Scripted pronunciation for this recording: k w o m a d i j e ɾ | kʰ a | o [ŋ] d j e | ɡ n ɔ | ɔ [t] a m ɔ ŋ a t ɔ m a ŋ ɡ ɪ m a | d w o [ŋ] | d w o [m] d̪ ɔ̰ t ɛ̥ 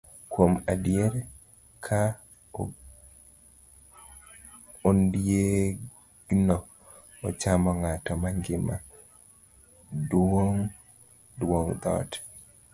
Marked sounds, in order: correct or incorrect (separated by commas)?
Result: incorrect, incorrect, correct, incorrect